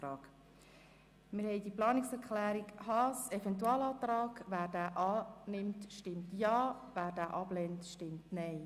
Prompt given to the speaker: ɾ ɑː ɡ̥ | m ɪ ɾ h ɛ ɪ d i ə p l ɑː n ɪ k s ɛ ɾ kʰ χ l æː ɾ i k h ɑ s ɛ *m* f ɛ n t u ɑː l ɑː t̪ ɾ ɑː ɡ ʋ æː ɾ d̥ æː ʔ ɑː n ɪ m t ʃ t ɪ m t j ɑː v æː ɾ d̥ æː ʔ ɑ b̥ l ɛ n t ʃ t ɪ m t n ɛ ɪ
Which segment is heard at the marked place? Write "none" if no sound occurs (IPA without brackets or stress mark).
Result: none